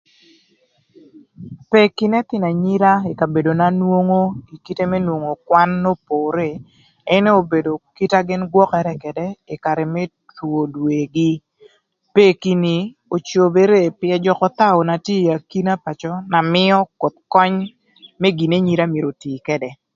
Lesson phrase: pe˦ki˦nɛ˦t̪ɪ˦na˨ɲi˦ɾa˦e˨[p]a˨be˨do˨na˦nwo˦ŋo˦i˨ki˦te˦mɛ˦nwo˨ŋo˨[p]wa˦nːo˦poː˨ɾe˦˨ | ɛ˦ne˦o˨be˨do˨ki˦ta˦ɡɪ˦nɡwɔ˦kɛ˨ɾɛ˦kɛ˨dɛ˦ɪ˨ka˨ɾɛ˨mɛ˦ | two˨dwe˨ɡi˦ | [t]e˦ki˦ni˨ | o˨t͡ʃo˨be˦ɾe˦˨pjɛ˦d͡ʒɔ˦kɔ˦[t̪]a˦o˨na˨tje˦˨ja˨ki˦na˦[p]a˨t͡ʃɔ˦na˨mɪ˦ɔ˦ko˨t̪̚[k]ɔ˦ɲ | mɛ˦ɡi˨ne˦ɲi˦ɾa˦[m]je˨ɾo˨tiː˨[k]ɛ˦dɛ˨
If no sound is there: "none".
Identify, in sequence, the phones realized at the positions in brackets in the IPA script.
k, k, p, t̪, p, k, m, k

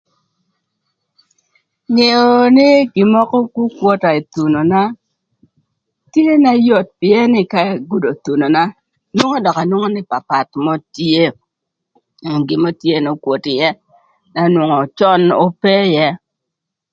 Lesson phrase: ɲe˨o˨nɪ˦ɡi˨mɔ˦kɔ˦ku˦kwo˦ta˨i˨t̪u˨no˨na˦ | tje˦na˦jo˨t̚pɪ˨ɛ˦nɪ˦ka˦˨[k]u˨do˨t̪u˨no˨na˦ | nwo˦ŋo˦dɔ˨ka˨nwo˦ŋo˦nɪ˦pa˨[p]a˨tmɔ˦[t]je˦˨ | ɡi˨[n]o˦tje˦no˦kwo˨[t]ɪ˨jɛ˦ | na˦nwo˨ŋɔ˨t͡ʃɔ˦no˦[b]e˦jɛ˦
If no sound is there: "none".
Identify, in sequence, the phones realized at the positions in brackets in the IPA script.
ɡ, p, t, m, t, p

